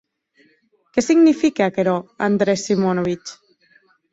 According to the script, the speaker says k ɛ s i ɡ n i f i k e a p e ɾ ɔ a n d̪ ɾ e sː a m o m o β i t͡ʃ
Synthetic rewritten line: k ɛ s i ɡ n i f i k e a k e ɾ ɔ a n d̪ ɾ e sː i m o n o β i t͡ʃ